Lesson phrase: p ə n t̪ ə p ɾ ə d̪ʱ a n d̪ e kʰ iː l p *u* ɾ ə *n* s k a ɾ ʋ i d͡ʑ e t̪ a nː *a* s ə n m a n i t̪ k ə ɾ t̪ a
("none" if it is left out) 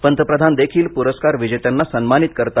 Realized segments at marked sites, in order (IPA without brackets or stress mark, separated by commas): u, none, a